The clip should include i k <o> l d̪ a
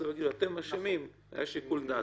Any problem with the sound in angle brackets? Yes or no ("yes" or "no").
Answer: yes